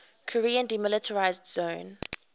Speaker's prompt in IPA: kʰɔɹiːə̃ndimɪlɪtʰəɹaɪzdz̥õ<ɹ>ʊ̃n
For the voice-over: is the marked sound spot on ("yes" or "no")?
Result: no